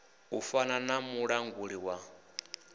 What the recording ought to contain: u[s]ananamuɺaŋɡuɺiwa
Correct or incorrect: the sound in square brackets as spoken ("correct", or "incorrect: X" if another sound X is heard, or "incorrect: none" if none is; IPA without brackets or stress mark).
incorrect: f